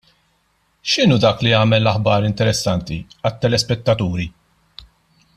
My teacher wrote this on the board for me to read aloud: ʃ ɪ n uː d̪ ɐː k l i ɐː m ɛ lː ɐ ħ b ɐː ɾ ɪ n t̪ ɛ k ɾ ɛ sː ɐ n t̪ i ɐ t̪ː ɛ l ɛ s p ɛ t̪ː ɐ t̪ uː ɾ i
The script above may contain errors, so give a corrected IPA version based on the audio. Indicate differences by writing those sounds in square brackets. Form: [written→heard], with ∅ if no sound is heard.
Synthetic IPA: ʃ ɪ n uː d̪ ɐː k l i ɐː m ɛ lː ɐ ħ b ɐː ɾ ɪ n t̪ ɛ [k→∅] ɾ ɛ sː ɐ n t̪ i ɐ t̪ː ɛ l ɛ s p ɛ t̪ː ɐ t̪ uː ɾ i